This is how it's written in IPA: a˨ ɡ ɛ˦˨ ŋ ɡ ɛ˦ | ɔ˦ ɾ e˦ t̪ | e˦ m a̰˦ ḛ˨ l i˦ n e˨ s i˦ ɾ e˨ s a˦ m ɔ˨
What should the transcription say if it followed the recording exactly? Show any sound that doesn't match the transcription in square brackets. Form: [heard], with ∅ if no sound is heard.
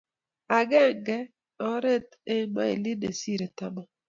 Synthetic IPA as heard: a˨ ɡ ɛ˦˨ ŋ ɡ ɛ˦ | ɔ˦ ɾ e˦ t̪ | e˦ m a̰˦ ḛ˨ l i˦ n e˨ s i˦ ɾ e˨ [t] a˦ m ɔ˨

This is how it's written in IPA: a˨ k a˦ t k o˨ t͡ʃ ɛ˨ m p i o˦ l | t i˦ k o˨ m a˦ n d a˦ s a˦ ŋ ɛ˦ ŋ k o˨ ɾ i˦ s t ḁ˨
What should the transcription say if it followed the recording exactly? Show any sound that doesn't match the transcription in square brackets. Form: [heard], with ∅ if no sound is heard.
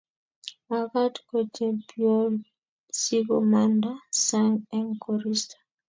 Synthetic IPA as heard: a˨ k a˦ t k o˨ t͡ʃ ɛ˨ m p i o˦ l | [s] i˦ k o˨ m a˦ n d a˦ s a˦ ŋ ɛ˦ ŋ k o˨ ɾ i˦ s t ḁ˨

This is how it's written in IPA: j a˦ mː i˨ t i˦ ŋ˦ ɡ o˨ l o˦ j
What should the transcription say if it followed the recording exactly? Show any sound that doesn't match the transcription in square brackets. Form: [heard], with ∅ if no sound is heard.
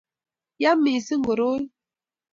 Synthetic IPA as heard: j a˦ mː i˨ [s] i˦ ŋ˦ ɡ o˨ [ɾ] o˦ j

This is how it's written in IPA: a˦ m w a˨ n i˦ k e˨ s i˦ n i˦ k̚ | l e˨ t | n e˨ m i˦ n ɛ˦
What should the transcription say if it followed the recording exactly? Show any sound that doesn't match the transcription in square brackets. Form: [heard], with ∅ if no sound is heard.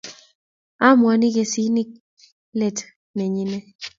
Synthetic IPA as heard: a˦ m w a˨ n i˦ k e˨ s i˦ n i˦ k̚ | l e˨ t | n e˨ [ɲ] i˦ n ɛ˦

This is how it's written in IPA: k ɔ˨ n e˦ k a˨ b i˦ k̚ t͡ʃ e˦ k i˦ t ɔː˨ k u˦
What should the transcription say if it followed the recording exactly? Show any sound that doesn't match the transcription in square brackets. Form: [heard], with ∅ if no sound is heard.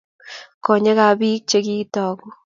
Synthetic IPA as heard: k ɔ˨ [ɲ] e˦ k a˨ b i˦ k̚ t͡ʃ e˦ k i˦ t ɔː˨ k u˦

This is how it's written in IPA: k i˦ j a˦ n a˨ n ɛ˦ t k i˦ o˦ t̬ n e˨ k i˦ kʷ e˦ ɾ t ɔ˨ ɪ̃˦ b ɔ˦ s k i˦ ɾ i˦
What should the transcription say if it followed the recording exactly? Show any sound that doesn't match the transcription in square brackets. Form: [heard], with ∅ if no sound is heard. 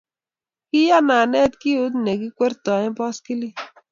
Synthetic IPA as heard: k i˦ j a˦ n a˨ n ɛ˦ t k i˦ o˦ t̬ n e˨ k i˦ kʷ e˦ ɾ t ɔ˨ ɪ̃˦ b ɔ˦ s k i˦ [l] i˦

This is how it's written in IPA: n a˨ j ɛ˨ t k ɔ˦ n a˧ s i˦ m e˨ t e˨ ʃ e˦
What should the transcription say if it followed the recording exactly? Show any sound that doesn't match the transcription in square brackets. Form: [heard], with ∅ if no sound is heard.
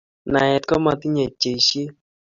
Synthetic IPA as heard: n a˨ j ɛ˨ t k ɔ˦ [m] a˧ [t] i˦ [ɲ] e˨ [t͡ʃ] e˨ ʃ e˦

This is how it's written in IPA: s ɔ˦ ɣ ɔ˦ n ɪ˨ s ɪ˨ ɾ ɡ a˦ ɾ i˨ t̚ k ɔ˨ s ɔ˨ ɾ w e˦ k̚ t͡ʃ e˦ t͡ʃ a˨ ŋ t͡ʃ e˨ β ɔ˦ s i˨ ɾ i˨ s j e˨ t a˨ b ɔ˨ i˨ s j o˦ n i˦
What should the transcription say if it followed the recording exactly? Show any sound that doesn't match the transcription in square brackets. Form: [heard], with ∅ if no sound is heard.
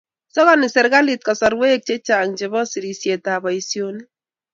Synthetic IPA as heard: s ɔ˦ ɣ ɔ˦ n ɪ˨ s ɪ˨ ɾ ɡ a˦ [l] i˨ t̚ k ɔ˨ s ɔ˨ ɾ w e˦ k̚ t͡ʃ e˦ t͡ʃ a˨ ŋ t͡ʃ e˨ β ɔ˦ s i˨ ɾ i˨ s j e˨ t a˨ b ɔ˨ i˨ s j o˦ n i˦

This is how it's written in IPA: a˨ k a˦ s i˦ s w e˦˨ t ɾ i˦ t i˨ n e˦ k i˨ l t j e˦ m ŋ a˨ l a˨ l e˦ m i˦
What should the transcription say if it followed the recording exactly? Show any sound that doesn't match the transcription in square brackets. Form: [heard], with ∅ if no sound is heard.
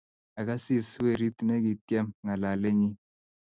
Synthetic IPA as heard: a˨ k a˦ s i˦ s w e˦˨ [∅] ɾ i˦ t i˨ n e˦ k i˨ [∅] t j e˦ m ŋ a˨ l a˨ l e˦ [ɲ] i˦

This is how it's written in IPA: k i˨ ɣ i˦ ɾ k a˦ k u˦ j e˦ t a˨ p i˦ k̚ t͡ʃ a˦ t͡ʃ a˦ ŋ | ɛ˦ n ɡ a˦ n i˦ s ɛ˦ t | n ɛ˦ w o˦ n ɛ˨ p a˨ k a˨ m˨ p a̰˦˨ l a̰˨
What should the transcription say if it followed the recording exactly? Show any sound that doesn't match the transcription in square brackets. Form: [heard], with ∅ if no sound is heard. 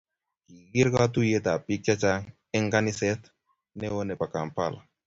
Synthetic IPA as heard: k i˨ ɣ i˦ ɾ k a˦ [t] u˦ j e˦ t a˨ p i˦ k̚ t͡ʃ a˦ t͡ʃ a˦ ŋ | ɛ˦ [ŋ] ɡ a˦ n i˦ s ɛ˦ t | n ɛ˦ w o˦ n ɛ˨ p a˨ k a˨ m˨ p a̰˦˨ l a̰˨

